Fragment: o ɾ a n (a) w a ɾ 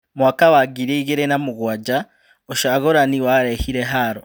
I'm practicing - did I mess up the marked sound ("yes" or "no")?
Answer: yes